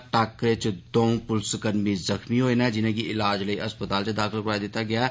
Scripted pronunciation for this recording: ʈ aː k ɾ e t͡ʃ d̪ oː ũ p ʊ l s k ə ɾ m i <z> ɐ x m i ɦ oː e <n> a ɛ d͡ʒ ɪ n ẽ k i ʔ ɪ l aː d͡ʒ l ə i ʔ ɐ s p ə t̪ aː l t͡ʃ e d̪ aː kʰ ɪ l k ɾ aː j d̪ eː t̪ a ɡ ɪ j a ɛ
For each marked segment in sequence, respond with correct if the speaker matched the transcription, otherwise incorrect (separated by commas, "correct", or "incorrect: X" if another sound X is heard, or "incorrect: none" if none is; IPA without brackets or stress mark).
correct, correct